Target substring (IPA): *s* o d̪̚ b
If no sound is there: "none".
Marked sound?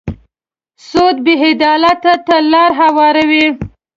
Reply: s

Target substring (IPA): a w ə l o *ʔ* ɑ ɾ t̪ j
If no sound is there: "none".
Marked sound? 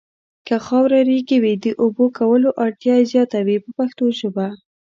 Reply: ʔ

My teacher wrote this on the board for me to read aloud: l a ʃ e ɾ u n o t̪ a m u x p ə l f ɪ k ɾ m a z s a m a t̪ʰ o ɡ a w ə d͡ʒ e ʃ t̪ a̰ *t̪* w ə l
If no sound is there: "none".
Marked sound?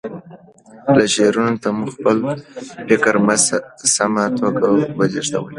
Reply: none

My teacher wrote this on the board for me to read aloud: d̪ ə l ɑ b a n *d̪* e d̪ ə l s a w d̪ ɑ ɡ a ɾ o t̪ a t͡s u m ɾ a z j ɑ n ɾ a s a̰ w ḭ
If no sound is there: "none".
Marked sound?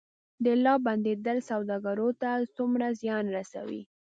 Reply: d̪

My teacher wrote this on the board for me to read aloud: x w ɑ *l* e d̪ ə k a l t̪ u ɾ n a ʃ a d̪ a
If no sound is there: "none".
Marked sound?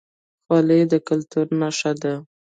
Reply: l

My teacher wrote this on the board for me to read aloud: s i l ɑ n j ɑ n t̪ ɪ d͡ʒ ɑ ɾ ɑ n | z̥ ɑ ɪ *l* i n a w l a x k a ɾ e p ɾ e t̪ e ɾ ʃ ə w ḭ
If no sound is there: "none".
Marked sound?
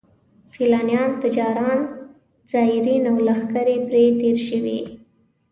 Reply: ɾ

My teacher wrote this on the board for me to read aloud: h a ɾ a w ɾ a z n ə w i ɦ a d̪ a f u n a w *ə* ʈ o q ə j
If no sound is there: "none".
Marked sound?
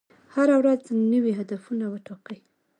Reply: ə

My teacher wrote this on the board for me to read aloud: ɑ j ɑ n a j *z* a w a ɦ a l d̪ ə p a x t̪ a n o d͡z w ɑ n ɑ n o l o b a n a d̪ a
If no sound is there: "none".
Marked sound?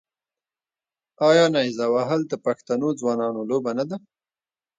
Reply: z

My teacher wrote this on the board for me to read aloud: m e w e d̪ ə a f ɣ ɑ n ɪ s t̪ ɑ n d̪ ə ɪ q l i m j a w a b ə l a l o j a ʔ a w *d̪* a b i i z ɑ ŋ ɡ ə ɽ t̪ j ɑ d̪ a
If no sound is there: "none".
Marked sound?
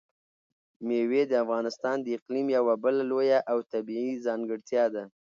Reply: t̪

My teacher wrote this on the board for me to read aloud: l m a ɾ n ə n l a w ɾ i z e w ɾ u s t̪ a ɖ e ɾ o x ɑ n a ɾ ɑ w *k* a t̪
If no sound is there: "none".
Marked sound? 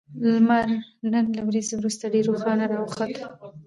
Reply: x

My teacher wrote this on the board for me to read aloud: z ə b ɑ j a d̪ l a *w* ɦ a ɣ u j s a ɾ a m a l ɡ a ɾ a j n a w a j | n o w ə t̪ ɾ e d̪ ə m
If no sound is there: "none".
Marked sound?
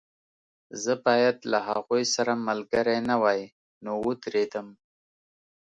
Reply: none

